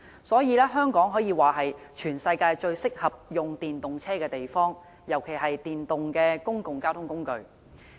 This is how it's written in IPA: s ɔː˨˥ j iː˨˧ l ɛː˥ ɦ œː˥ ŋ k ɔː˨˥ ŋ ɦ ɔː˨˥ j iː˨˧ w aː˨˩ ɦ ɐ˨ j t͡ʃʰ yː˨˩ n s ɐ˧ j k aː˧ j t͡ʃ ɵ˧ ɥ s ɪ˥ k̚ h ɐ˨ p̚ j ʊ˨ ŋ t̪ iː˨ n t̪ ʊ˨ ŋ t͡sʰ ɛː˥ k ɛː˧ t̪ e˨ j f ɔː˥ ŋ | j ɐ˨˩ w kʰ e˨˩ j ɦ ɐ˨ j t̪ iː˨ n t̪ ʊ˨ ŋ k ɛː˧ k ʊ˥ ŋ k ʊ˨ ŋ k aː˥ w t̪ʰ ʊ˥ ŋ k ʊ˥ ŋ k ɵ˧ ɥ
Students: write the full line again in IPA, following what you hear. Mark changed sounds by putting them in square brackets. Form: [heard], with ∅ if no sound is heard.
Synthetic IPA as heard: s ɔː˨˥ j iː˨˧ l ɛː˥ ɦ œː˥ ŋ k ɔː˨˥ ŋ ɦ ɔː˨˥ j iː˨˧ w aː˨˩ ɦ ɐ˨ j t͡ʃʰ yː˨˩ n s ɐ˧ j k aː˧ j t͡ʃ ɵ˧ ɥ s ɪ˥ k̚ h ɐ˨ p̚ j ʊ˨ ŋ t̪ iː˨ n t̪ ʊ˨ ŋ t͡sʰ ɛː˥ k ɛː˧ t̪ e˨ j f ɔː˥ ŋ | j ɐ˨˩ w kʰ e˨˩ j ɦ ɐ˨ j t̪ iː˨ n t̪ ʊ˨ ŋ k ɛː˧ k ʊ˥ ŋ k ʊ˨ ŋ k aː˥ w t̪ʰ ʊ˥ ŋ k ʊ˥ ŋ k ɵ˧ ɥ